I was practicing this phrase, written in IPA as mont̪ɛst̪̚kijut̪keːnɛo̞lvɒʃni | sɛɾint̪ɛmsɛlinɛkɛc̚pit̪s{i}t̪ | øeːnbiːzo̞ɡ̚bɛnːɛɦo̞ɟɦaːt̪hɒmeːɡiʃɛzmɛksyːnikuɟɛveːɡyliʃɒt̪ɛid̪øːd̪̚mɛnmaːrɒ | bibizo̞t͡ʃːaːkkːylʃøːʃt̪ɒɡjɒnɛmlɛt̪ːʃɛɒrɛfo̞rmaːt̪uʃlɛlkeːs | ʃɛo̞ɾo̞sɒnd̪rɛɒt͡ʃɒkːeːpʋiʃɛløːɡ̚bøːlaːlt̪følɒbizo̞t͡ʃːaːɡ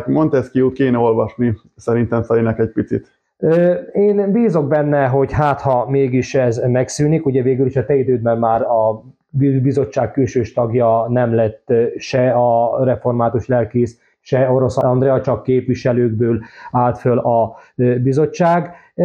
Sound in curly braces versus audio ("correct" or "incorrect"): correct